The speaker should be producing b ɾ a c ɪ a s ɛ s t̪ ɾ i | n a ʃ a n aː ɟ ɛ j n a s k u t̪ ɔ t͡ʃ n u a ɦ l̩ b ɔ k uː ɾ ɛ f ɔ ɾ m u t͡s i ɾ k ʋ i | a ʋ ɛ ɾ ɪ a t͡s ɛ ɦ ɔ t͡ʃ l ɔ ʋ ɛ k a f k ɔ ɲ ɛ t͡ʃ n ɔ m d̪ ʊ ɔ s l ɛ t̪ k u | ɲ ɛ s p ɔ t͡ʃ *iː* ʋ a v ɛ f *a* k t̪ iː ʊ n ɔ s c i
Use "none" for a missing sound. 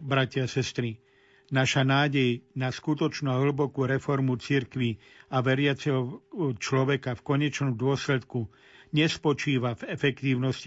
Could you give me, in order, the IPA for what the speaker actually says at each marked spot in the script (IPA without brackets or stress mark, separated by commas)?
iː, ɛ